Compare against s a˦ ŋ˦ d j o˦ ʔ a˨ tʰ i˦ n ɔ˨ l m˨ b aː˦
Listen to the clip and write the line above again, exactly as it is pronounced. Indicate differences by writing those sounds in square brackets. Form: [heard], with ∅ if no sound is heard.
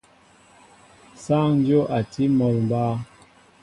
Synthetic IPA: s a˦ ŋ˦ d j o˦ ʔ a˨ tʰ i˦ [m] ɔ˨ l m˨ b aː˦